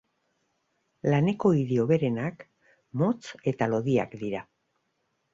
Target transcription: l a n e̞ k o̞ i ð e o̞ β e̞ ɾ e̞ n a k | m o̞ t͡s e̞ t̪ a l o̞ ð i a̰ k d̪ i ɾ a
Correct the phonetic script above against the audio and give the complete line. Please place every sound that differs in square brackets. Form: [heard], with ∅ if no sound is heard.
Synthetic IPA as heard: l a n e̞ k o̞ i ð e o̞ β e̞ ɾ e̞ n a k | m o̞ t͡s e̞ t̪ a l o̞ ð i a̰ k d̪ i ɾ a